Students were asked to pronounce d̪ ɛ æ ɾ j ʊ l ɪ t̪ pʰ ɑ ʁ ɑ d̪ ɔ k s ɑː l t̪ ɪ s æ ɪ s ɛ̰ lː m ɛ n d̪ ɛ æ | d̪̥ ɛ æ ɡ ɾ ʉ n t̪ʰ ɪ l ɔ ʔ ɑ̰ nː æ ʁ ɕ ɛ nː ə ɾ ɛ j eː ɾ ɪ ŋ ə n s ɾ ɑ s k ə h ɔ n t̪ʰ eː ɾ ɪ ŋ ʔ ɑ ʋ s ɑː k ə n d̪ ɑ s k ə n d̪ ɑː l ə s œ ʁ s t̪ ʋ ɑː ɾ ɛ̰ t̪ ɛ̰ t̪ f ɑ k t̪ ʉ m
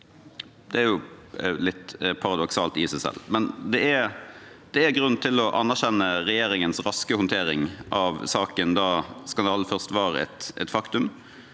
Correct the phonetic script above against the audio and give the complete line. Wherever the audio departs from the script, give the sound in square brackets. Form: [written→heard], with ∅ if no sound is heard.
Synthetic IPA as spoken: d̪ ɛ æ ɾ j ʊ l ɪ t̪ pʰ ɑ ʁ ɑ d̪ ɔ k s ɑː l t̪ ɪ s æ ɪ s ɛ̰ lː m ɛ n d̪ ɛ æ | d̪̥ ɛ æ ɡ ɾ ʉ n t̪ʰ ɪ l ɔ ʔ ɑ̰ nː æ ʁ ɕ ɛ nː ə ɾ ɛ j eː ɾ ɪ ŋ ə n s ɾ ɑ s k ə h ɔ n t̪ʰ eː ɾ ɪ ŋ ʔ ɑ ʋ s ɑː k ə n d̪ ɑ s k [ə→ɑ] n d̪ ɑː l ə [s→f] œ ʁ s t̪ ʋ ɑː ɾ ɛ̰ t̪ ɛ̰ t̪ f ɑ k t̪ ʉ m